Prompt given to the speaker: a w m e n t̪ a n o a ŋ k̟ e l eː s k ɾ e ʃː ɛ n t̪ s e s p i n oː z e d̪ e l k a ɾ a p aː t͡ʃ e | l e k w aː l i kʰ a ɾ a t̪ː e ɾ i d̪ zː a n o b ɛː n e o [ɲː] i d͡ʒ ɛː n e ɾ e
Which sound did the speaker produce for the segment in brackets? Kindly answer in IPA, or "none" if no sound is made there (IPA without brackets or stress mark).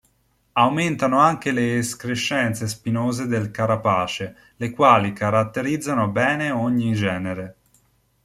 ɲː